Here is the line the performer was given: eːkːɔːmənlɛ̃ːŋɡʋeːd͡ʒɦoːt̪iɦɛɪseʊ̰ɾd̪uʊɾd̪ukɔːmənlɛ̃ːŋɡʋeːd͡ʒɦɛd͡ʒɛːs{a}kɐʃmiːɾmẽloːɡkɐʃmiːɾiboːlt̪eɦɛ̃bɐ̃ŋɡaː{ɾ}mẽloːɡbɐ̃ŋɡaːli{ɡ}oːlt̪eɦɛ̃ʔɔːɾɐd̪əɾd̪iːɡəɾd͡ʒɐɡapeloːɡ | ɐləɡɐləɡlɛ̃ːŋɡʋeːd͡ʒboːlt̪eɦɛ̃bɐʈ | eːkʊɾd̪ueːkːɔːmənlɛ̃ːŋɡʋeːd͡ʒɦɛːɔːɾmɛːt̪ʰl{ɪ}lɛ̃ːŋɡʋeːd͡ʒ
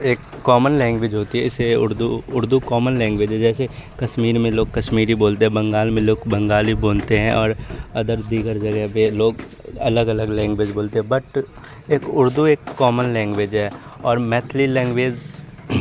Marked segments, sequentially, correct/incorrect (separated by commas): incorrect, incorrect, incorrect, incorrect